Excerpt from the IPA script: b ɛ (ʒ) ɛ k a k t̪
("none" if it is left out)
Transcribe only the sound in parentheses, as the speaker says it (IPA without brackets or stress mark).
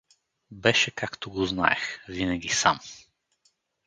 ʃ